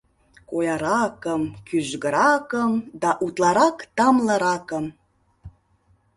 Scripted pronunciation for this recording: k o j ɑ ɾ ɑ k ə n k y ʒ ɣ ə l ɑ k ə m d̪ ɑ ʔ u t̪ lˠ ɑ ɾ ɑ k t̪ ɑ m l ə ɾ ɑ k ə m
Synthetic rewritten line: k o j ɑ ɾ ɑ k ə m k y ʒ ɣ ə ɾ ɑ k ə m d̪ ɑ ʔ u t̪ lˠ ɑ ɾ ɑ k t̪ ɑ m l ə ɾ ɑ k ə m